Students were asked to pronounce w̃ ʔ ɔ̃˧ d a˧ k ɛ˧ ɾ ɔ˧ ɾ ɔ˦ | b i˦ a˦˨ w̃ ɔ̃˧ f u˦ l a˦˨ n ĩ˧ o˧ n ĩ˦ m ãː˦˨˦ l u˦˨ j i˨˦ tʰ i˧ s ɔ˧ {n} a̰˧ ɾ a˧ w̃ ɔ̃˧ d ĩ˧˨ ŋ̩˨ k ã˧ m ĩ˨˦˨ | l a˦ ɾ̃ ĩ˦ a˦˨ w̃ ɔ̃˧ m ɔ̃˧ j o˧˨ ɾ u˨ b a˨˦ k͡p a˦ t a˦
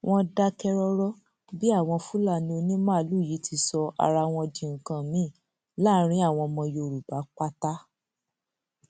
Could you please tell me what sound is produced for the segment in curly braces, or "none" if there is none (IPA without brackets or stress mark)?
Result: none